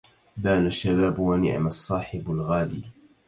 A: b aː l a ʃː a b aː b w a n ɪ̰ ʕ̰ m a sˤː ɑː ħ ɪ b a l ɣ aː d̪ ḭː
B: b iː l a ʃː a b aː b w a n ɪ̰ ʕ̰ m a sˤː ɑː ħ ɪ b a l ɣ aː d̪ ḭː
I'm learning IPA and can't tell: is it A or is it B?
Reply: A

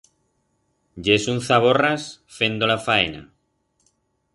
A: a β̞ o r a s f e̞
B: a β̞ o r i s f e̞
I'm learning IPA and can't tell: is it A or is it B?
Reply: A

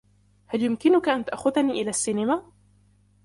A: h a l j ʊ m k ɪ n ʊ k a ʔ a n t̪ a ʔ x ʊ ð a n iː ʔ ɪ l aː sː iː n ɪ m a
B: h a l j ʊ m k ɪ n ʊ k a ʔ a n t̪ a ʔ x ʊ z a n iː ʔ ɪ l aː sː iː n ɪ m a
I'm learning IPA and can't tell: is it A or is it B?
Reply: A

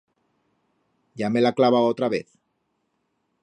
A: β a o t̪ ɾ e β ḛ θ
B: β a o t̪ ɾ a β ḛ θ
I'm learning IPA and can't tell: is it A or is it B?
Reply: B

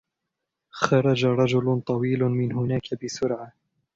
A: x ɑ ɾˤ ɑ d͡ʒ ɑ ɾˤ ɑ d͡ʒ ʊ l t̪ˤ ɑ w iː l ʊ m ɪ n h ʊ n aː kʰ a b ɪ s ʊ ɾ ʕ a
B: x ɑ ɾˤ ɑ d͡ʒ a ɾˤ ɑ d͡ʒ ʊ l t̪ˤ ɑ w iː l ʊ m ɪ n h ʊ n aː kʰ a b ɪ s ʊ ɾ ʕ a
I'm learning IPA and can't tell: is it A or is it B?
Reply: B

